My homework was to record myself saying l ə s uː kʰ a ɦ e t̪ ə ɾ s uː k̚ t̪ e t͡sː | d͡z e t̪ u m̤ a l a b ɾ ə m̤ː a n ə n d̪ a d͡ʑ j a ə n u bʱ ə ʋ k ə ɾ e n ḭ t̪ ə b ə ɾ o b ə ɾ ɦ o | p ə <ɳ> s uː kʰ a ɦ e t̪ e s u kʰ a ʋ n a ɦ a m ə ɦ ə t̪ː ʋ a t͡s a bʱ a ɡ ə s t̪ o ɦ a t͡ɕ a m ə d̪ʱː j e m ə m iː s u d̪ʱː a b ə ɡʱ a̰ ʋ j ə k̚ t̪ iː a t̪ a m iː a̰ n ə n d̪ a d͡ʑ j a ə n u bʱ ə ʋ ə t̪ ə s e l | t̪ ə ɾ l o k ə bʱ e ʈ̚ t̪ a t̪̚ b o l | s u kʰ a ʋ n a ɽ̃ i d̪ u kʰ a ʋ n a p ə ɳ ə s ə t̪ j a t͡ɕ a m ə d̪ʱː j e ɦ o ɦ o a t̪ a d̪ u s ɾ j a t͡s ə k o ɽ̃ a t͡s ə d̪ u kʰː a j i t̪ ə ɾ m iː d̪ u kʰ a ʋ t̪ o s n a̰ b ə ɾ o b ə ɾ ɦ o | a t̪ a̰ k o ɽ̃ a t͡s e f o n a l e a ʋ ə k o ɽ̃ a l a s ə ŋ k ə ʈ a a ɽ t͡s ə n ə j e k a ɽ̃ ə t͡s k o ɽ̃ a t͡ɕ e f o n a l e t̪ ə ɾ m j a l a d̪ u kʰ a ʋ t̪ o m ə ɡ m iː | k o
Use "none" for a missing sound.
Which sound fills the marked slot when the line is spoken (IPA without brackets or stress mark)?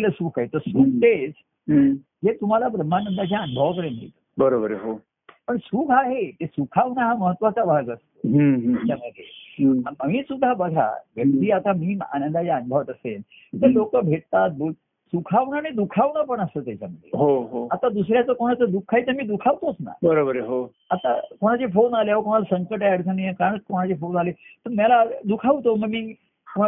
ɳ